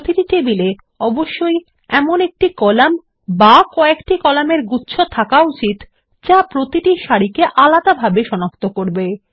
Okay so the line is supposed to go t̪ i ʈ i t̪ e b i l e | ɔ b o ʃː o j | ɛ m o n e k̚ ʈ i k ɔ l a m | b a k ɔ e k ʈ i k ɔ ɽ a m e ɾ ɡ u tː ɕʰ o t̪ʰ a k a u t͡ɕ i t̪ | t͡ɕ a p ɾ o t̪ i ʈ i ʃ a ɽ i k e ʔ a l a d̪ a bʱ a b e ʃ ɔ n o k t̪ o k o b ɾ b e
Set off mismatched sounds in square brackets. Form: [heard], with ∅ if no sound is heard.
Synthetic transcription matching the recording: t̪ i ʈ i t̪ e b i l e | ɔ b o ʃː o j | ɛ m o n e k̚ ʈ i k ɔ l a m | b a k ɔ e k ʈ i k ɔ [l] a m e ɾ ɡ u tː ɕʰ o t̪ʰ a k a u t͡ɕ i t̪ | t͡ɕ a p ɾ o t̪ i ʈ i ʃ a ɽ i k e ʔ a l a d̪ a bʱ a b e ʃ ɔ n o k t̪ o k o [∅] ɾ b e

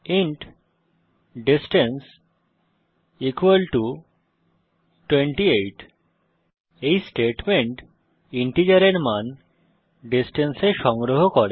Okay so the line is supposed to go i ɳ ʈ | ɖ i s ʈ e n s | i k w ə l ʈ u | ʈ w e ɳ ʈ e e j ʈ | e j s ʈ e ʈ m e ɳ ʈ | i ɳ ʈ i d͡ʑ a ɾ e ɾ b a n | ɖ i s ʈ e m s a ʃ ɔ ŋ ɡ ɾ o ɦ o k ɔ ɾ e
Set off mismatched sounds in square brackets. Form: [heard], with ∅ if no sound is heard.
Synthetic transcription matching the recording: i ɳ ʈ | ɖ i s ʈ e n s | i k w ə l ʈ u | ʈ w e ɳ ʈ [i] e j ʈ | e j s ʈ e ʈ m e ɳ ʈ | i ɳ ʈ i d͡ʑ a ɾ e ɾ [m] a n | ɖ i s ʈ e [n] s [e] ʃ ɔ ŋ ɡ ɾ o ɦ o k ɔ ɾ e

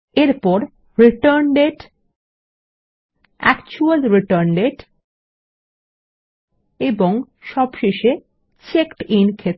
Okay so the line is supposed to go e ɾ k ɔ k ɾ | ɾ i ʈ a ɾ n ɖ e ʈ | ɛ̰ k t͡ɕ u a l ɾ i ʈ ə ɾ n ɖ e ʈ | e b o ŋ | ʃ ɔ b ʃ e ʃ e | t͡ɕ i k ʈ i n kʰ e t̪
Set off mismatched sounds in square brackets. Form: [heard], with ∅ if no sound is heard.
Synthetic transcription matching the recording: e ɾ [p] ɔ [∅] ɾ | ɾ i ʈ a ɾ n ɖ e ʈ | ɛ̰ k t͡ɕ u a l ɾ i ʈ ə ɾ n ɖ e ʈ | e b o ŋ | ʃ ɔ b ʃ e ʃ e | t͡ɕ [e] k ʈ i n kʰ e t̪

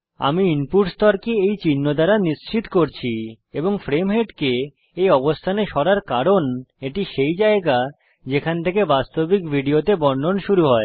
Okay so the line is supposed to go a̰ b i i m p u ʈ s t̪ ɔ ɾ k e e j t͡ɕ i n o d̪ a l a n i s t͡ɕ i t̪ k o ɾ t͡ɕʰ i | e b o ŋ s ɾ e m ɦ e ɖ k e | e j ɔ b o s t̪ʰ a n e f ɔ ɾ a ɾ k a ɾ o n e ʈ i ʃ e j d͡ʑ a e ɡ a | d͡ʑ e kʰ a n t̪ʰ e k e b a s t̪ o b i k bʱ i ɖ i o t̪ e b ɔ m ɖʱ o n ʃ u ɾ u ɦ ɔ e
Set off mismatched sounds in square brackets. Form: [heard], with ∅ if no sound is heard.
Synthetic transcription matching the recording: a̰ [m] i i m p u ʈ s t̪ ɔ ɾ k e e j t͡ɕ i [nː] o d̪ a [ɾ] a n i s t͡ɕ i t̪ k o ɾ t͡ɕʰ i | e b o ŋ [f] ɾ e m ɦ e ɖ k e | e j ɔ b o s t̪ʰ a n e [ʃ] ɔ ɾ a ɾ k a ɾ o n e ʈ i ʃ e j d͡ʑ a e ɡ a | d͡ʑ e kʰ a n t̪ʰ e k e b a s t̪ o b i k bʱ i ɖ i o t̪ e b ɔ [ɳ] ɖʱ o n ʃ u ɾ u ɦ ɔ e

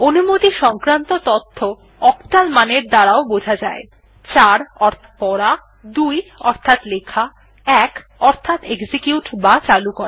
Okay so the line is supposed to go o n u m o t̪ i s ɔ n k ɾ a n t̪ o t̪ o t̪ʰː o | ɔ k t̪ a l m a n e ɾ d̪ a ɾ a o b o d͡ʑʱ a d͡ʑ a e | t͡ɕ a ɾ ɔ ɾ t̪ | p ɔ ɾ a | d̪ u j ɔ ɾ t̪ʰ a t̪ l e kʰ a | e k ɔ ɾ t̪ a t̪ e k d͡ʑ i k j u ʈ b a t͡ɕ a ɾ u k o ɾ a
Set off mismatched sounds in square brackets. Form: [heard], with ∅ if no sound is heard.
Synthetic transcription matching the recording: o n u m o t̪ i [ʃ] ɔ [ŋ] k ɾ a n t̪ o t̪ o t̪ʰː o | ɔ k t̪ a l m a n e ɾ d̪ a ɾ a o b o d͡ʑʱ a d͡ʑ a e | t͡ɕ a ɾ ɔ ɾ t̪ | p ɔ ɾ a | d̪ u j ɔ ɾ t̪ʰ a t̪ l e kʰ a | [ɛ] k ɔ ɾ [t̪ʰ] a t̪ e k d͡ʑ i k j u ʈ b a t͡ɕ a [l] u k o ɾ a

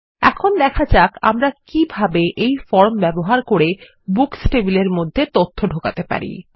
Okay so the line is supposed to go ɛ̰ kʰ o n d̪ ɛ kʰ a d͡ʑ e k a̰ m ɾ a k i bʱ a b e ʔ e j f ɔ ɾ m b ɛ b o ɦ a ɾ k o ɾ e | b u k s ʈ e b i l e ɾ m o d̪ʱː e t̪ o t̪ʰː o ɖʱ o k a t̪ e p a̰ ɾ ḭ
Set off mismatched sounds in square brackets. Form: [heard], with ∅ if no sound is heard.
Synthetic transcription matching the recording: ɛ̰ kʰ o n d̪ ɛ kʰ a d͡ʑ [a] k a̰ m ɾ a k i bʱ a b e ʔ e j f ɔ ɾ m b ɛ b o ɦ a ɾ k o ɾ e | b u k s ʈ e b i l e ɾ m o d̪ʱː e t̪ o t̪ʰː o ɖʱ o k a t̪ e p a̰ ɾ ḭ

